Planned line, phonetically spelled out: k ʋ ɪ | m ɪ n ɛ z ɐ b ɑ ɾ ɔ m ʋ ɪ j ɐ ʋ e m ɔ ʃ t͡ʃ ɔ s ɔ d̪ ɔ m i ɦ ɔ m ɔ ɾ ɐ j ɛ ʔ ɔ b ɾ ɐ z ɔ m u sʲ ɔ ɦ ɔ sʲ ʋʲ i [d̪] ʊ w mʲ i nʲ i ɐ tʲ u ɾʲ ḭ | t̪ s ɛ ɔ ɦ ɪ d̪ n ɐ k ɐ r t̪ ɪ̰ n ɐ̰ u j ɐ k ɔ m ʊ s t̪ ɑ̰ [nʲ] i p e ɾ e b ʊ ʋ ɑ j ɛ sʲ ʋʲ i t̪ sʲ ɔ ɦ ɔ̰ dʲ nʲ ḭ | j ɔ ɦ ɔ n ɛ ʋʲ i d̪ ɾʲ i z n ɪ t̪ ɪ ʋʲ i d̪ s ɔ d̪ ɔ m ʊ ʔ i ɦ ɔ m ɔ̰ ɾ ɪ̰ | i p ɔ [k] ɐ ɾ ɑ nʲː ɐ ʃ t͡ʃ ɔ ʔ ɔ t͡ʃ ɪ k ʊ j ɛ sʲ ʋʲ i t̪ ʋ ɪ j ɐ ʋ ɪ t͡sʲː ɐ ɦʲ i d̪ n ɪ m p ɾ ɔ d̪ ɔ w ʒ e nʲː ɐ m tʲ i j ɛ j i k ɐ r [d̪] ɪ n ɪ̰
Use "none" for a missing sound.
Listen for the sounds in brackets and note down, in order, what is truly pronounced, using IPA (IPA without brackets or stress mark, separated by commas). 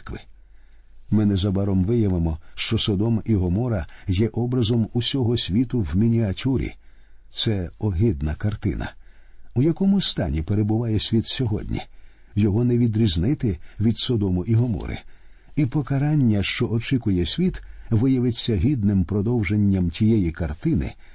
t̪, nʲ, k, t̪